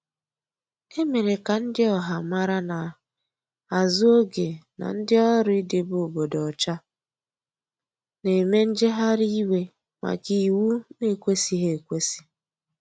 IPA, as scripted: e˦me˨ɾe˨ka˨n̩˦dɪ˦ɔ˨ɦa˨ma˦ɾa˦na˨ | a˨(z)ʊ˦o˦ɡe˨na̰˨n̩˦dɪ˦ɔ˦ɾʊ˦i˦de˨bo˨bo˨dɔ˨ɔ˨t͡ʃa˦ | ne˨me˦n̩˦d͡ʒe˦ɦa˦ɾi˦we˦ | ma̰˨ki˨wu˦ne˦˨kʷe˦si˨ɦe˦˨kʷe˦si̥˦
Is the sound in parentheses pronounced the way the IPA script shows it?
yes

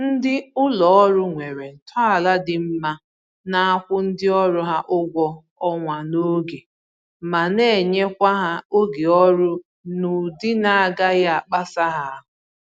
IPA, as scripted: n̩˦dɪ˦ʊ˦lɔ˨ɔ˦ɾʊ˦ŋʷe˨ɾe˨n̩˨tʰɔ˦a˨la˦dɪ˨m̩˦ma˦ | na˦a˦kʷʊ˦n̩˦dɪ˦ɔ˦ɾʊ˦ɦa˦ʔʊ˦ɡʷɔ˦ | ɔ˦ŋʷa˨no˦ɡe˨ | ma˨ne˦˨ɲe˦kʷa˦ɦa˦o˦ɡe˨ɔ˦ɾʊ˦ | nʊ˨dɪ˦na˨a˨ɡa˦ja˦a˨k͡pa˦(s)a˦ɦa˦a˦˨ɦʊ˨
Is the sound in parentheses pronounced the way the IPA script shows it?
yes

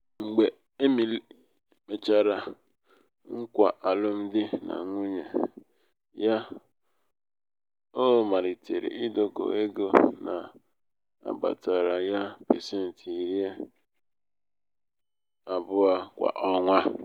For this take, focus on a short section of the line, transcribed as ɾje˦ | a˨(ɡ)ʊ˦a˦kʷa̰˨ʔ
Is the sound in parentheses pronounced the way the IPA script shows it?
no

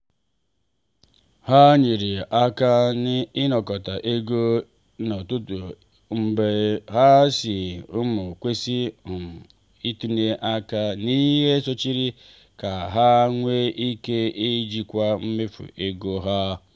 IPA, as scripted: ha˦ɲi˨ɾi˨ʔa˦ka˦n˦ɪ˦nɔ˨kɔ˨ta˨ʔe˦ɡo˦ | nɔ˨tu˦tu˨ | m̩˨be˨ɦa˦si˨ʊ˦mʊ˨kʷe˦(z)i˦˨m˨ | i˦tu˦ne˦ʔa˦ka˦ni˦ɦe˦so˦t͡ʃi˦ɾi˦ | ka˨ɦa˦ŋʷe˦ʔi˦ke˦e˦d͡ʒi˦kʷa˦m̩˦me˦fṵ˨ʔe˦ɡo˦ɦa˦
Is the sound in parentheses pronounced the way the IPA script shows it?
no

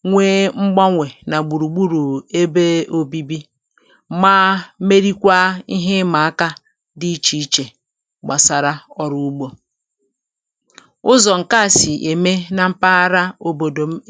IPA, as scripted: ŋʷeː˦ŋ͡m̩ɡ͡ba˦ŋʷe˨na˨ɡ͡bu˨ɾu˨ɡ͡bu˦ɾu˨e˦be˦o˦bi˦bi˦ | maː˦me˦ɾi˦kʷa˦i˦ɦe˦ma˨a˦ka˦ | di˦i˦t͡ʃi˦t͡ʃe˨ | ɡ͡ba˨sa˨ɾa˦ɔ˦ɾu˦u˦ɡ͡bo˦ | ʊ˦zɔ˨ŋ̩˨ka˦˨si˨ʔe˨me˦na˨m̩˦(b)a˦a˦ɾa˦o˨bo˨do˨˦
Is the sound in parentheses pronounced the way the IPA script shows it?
no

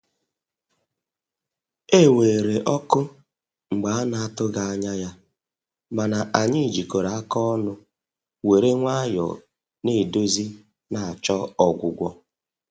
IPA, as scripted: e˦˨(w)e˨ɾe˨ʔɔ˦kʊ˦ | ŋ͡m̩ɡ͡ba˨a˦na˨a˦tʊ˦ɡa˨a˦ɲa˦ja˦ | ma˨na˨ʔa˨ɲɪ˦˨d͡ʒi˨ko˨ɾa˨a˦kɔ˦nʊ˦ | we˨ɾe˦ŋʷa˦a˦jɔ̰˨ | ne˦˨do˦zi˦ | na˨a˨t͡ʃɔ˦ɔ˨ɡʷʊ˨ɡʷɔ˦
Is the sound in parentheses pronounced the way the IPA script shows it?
yes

